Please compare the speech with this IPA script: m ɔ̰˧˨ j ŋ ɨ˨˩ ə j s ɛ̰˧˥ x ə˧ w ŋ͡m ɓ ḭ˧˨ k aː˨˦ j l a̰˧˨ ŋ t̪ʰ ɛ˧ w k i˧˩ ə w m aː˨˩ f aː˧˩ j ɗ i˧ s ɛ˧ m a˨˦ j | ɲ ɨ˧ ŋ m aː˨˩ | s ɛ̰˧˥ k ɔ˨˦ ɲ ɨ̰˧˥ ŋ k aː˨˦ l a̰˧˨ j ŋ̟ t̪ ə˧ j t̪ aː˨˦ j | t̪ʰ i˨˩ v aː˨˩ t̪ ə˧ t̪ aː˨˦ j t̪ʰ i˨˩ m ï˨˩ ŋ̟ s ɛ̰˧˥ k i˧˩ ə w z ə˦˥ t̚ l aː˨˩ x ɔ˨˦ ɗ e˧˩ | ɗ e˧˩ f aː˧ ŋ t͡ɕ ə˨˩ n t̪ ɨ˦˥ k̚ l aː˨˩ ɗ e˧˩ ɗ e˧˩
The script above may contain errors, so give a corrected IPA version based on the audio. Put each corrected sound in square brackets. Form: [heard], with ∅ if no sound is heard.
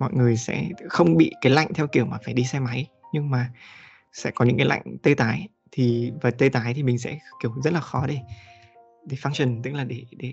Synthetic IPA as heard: m ɔ̰˧˨ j ŋ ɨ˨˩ ə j s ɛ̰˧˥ x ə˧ w ŋ͡m ɓ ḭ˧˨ k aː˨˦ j l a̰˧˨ ŋ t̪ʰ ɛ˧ w k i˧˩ ə w m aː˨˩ f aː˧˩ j ɗ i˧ s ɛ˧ m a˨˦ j | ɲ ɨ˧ ŋ m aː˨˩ | s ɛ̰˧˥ k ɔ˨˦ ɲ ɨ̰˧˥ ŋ k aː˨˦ l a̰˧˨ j ŋ̟ t̪ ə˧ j t̪ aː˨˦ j | t̪ʰ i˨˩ v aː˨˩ t̪ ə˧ t̪ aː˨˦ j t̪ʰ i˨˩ m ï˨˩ ŋ̟ s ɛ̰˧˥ k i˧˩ ə w z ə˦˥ t̚ l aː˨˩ x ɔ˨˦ ɗ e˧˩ | ɗ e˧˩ f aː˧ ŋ t͡ɕ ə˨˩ n t̪ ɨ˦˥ k̚ l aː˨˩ ɗ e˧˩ ɗ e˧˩